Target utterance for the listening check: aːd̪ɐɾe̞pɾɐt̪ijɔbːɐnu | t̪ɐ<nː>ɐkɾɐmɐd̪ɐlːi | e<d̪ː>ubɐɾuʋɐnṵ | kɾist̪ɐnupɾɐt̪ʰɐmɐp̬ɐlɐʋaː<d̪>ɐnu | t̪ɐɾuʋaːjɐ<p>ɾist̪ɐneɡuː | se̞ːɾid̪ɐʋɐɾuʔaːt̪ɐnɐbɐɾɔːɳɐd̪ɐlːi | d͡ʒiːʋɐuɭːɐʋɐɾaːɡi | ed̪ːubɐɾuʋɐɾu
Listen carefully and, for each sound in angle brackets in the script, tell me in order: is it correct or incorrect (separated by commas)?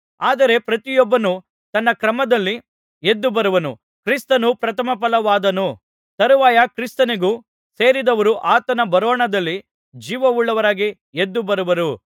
correct, correct, correct, incorrect